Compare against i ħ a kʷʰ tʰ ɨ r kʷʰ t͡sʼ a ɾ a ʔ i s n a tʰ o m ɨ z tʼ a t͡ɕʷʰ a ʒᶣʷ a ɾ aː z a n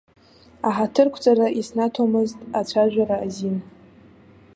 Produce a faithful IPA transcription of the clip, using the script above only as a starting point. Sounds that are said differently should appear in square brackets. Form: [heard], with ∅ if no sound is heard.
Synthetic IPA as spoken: [a] ħ a [∅] tʰ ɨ r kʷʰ t͡sʼ a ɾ a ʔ i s n a tʰ o m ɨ z tʼ a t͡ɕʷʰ a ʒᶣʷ a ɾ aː z [i] n